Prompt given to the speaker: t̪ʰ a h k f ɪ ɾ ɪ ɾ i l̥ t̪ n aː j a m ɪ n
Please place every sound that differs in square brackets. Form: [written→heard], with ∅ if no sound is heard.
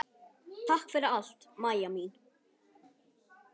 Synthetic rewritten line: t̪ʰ a h k f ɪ ɾ ɪ ɾ [i→a] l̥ t̪ [n→m] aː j a m [ɪ→i] n